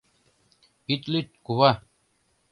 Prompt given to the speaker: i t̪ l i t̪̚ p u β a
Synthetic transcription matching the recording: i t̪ l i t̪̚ k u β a